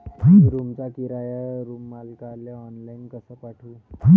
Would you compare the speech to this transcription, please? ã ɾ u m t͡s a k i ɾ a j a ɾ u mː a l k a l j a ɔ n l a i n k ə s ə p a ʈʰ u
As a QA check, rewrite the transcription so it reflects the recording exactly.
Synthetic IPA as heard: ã ɾ u m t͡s a k i ɾ a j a ɾ u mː a l k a l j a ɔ n l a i n k ə s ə p a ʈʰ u